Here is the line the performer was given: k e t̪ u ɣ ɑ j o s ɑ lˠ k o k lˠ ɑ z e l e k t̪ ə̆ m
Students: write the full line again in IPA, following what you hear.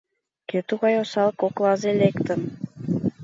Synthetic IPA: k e t̪ u ɣ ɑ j o s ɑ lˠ k o k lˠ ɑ z e l e k t̪ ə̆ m